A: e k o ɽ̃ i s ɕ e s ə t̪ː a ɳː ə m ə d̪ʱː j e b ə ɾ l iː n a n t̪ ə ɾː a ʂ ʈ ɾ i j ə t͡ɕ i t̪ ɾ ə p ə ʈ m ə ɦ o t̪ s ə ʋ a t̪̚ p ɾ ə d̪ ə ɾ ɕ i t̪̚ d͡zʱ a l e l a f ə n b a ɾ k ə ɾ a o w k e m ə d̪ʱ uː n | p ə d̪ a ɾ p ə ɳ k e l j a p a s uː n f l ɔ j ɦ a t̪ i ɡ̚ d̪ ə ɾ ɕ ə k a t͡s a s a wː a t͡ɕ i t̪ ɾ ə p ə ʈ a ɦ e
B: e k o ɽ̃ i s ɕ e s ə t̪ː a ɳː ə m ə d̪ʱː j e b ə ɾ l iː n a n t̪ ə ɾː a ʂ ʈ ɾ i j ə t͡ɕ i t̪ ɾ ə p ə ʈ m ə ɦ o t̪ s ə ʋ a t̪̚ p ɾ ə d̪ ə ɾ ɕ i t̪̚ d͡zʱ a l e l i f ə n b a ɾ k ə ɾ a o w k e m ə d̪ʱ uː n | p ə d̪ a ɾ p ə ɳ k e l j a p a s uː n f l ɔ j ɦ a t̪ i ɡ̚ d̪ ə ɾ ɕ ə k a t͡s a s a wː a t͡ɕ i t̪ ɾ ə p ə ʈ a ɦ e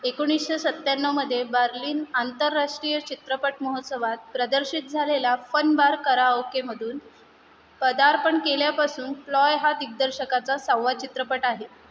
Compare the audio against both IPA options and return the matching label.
A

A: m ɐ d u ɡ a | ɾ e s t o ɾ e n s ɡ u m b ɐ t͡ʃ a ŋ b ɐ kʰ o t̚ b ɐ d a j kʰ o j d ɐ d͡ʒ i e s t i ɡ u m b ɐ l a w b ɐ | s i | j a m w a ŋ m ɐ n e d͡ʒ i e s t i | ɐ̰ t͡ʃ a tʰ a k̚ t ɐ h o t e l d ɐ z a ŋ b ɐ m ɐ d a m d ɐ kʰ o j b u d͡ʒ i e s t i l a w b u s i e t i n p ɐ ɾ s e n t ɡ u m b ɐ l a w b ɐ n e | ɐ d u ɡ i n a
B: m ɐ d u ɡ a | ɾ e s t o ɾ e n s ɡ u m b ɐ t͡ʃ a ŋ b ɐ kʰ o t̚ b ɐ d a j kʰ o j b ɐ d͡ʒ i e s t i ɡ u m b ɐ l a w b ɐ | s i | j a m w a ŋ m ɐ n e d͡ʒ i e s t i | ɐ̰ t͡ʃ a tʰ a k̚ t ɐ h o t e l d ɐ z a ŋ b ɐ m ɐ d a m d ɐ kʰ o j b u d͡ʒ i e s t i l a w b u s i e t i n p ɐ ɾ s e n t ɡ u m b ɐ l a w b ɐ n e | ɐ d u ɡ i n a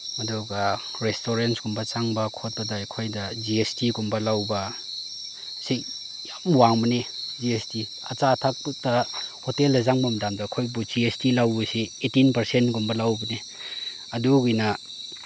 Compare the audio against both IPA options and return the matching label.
A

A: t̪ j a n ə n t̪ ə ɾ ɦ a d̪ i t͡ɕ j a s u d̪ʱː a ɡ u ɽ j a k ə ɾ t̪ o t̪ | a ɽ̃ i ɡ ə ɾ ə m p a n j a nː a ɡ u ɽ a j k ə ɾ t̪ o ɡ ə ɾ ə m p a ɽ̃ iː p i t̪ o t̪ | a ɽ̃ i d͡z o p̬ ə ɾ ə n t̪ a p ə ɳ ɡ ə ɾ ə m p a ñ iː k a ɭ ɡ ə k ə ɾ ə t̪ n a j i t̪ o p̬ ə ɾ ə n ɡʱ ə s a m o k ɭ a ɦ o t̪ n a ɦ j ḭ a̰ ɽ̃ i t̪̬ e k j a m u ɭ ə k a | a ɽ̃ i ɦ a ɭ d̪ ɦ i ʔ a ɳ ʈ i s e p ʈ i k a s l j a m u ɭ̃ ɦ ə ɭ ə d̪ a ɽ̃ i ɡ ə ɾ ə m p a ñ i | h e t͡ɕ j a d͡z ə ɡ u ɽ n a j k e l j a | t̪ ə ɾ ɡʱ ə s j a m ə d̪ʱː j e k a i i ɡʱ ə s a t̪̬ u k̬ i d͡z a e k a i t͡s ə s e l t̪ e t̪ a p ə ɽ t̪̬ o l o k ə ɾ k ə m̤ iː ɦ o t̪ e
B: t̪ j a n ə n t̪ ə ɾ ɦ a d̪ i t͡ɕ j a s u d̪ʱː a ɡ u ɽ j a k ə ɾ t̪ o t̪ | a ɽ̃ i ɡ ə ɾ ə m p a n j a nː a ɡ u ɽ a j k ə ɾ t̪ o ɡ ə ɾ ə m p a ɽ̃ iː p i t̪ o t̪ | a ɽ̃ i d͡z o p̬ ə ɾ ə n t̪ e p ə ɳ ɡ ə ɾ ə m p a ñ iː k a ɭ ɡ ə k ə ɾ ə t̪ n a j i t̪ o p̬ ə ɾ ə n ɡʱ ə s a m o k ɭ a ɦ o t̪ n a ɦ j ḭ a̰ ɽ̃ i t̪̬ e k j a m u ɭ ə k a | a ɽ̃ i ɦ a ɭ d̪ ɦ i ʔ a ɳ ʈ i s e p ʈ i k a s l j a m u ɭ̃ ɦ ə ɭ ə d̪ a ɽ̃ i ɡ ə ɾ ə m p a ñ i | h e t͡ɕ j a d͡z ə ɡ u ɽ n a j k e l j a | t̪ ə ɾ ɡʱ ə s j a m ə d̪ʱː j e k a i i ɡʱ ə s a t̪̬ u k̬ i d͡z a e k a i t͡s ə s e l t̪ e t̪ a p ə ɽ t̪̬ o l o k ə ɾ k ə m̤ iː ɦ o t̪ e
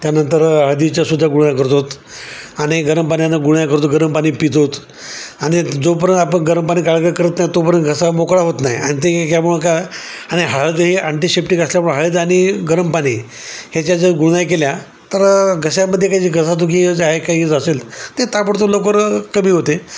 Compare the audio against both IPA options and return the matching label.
A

